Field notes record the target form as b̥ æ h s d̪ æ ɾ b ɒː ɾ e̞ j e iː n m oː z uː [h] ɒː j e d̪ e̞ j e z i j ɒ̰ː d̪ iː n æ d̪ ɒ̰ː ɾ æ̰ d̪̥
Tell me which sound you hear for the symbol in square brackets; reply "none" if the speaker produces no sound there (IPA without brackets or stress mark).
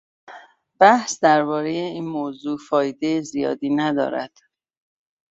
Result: f